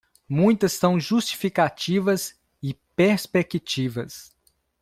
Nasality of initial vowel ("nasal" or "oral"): nasal